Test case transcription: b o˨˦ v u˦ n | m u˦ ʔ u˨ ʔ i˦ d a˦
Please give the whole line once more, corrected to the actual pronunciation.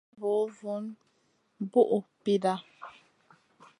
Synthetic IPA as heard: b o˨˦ v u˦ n | b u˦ ʔ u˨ p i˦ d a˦